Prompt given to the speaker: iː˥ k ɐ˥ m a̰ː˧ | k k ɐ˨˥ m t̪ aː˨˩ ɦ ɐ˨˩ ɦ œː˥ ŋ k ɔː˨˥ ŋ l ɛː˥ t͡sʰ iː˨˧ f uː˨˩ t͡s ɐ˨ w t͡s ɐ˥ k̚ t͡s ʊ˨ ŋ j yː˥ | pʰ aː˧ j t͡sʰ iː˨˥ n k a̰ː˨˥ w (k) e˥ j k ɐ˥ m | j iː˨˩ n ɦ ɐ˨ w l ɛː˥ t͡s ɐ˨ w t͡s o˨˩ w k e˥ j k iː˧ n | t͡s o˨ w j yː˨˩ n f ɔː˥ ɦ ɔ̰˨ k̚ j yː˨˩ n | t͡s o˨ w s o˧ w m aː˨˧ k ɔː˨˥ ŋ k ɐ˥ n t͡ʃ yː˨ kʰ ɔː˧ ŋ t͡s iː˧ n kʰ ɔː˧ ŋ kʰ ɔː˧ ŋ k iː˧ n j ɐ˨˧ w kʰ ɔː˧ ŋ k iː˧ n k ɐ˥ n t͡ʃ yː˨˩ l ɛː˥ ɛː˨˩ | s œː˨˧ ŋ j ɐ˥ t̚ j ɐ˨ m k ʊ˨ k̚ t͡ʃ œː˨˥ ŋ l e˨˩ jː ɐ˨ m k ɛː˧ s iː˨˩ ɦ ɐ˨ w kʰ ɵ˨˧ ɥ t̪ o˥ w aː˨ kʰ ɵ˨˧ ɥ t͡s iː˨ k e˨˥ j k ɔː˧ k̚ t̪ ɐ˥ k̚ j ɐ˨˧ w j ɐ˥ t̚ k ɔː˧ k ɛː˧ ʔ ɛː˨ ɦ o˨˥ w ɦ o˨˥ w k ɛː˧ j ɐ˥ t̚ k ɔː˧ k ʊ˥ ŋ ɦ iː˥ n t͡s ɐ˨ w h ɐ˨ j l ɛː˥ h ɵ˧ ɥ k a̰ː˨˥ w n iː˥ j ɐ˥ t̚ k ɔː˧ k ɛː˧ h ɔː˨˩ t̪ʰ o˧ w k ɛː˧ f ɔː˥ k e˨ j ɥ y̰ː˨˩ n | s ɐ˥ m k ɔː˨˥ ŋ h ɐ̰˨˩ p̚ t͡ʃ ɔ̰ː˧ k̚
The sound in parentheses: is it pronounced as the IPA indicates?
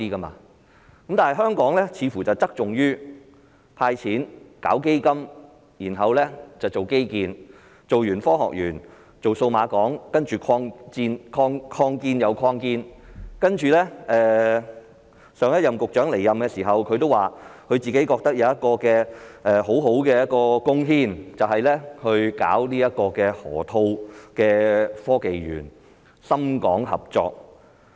yes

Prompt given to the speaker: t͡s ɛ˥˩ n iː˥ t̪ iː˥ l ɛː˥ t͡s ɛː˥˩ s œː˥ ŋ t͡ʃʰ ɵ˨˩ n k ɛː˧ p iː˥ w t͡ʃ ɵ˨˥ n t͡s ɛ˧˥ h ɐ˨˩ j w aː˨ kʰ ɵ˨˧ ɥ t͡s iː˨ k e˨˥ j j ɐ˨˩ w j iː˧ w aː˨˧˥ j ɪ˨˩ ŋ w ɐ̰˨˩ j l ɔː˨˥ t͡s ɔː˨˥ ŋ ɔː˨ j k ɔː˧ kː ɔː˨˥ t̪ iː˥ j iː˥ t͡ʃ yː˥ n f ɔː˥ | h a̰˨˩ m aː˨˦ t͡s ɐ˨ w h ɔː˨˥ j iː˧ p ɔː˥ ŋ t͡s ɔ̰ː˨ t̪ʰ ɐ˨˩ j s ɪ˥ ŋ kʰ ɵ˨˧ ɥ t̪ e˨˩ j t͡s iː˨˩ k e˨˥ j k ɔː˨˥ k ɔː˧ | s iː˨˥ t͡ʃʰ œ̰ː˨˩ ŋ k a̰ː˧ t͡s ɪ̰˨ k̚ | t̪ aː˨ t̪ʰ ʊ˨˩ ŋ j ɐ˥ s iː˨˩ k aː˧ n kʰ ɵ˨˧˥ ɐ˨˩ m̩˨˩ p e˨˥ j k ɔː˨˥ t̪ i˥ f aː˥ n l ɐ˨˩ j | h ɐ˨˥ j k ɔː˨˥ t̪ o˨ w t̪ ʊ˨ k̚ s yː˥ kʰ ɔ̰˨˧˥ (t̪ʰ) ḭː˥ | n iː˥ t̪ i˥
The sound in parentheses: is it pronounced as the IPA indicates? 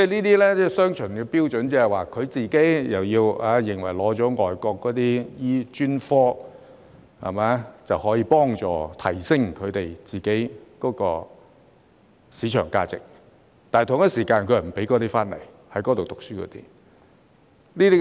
no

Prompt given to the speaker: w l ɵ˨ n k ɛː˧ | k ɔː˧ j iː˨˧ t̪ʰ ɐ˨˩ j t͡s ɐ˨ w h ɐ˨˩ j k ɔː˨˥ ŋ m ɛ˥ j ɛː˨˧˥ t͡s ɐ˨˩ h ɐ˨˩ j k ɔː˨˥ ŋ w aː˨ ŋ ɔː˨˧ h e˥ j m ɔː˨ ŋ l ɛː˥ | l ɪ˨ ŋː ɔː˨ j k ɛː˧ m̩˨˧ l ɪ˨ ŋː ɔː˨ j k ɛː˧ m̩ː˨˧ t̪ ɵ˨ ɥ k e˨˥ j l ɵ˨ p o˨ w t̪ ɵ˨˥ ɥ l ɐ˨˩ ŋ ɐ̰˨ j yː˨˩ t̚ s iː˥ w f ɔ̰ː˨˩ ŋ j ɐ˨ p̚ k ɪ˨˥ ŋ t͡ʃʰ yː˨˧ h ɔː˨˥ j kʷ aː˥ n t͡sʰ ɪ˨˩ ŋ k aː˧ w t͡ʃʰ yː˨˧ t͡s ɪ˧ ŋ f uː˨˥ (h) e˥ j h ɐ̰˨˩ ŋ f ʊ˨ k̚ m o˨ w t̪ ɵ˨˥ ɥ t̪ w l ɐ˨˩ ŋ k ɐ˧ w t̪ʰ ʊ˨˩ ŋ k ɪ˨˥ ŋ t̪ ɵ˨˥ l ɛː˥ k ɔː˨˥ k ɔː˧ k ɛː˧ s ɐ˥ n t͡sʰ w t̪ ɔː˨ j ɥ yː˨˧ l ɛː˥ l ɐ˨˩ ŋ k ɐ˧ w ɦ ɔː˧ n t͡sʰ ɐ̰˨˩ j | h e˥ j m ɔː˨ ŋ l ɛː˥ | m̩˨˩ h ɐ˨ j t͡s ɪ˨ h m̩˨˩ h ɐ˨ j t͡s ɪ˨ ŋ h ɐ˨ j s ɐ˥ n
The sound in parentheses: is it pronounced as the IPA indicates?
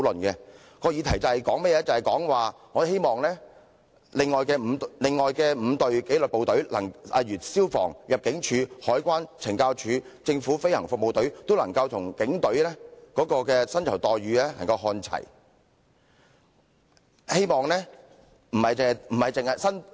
no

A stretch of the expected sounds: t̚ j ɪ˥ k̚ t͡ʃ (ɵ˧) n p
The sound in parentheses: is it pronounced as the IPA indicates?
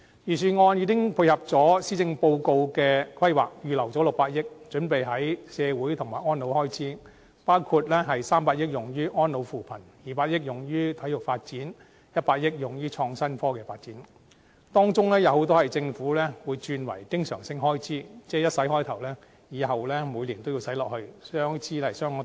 no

